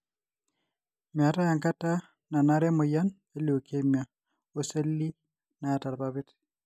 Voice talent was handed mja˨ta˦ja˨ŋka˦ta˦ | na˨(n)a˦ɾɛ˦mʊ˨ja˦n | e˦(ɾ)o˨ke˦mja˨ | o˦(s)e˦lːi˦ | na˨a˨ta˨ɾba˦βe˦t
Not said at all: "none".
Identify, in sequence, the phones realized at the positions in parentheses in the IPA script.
n, l, s

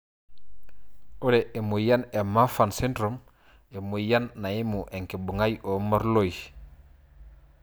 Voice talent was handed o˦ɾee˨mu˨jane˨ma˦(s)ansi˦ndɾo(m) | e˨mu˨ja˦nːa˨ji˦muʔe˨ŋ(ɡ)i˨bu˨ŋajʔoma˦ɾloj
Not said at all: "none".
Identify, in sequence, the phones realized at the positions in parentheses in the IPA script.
f, m, k

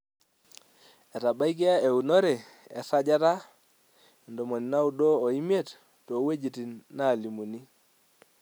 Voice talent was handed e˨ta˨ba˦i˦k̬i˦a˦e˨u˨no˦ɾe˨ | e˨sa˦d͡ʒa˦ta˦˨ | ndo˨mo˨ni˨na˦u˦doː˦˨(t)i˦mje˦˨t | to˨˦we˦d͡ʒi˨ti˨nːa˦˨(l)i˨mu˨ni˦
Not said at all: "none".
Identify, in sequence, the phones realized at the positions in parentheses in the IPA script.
none, l

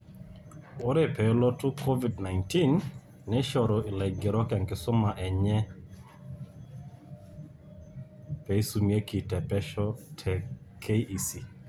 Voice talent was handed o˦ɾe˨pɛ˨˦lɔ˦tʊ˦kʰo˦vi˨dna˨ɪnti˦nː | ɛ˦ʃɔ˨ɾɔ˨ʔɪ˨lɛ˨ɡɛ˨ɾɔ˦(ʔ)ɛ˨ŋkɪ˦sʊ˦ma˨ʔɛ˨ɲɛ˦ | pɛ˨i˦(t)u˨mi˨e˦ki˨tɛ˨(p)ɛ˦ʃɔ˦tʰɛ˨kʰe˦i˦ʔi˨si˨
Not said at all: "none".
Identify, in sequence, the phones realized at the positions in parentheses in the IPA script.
k, s, p

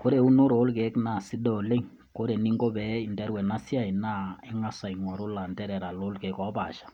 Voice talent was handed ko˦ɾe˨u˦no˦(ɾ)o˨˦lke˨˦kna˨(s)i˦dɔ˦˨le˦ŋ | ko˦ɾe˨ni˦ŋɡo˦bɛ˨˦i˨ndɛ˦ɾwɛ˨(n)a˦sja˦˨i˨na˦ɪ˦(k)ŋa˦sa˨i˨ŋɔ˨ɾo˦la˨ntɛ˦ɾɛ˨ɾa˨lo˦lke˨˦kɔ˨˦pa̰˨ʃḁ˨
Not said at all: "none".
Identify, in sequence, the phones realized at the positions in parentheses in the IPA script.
ɾ, s, n, none

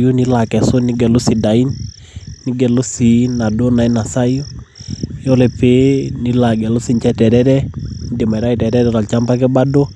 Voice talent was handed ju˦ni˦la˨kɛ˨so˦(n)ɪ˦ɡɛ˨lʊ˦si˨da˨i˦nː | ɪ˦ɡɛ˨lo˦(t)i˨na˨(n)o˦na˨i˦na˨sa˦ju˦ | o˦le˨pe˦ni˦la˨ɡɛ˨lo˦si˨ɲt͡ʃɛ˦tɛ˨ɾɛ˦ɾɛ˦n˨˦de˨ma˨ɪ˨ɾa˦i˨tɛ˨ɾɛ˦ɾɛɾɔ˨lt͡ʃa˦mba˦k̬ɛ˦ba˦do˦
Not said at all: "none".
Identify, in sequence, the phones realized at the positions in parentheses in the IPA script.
n, s, d

